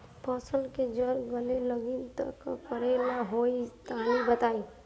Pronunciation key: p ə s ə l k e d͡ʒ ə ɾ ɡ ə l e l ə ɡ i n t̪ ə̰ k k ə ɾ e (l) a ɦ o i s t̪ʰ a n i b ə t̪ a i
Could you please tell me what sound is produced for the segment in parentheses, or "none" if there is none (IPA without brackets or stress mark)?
l